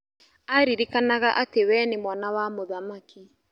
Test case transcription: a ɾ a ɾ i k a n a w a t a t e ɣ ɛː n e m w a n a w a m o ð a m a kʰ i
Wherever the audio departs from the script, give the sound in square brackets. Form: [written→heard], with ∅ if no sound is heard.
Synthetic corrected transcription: a ɾ [a→i] ɾ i k a n a [w→ɣ] a [t→ʔ] a t e [ɣ→w] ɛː n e m w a n a w a m o ð a m a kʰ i